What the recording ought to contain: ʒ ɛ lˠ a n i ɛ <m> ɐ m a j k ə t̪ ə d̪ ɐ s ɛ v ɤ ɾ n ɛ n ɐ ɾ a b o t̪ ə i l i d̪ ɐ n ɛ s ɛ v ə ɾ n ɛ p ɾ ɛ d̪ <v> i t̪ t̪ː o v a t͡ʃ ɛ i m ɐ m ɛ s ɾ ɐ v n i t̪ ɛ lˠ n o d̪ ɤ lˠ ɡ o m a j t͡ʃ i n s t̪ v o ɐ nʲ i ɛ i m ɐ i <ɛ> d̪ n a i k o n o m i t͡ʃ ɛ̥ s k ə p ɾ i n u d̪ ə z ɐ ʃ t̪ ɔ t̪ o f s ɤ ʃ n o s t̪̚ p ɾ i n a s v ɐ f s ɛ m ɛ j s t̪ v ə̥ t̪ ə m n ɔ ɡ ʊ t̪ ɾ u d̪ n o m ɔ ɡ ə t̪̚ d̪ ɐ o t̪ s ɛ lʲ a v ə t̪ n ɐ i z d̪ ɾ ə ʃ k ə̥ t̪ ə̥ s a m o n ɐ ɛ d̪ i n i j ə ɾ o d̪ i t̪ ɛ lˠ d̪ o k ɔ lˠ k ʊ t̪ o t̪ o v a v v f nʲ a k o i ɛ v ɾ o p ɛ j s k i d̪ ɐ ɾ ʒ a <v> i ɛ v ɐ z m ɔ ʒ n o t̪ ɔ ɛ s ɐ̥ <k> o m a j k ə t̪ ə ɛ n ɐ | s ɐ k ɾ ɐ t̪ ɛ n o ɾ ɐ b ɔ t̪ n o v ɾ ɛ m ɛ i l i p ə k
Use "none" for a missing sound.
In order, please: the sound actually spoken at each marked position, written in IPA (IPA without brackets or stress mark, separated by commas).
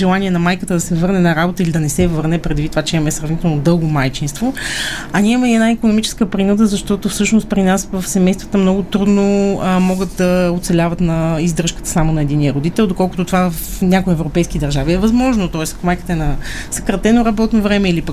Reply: n, v, ɛ, v, k